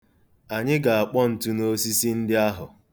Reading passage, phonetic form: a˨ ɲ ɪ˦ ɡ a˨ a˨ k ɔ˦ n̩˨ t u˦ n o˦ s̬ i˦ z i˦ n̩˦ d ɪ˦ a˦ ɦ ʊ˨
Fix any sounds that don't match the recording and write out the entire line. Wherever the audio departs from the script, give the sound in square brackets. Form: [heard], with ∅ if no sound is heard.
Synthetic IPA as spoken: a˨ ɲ ɪ˦ ɡ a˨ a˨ [k͡p] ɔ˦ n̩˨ t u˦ n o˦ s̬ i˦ [s] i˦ n̩˦ d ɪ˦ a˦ ɦ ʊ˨